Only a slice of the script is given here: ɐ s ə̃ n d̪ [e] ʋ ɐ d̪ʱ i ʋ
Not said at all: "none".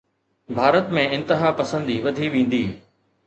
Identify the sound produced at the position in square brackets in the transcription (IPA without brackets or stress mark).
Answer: i